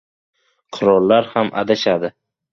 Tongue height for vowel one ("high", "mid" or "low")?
high